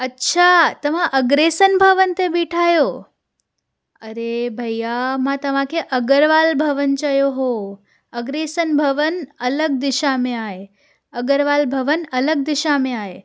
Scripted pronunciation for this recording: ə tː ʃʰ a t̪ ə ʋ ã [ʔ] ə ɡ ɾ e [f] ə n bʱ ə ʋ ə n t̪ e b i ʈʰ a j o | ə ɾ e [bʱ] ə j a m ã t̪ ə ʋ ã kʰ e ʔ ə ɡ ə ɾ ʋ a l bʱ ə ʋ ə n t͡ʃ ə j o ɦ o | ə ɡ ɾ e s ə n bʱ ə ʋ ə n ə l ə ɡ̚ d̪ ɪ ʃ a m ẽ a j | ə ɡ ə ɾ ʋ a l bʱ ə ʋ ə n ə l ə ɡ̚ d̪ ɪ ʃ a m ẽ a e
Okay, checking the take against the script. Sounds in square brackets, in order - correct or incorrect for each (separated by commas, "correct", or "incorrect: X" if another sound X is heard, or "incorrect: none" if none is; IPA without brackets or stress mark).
correct, incorrect: s, correct